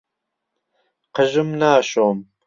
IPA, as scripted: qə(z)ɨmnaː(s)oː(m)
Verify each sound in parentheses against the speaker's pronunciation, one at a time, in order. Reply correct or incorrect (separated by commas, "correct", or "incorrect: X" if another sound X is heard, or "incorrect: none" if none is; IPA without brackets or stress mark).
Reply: incorrect: ʒ, incorrect: ʃ, correct